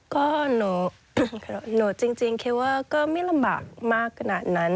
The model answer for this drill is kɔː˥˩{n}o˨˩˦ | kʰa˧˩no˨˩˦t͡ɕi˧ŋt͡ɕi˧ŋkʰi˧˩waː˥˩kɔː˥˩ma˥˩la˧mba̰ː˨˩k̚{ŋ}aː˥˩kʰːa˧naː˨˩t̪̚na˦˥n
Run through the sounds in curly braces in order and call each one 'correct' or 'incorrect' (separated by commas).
correct, incorrect